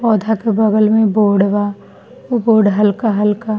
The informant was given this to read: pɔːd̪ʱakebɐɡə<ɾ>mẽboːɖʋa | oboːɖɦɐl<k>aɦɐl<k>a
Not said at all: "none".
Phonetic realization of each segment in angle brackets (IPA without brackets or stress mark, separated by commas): l, k, k